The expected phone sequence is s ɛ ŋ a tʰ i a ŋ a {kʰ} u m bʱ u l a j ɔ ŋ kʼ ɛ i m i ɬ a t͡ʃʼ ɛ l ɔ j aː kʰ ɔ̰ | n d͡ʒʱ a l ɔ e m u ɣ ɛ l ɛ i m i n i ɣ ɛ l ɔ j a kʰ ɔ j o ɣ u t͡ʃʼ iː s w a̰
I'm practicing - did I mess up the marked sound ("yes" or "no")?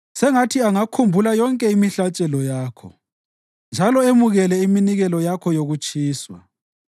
no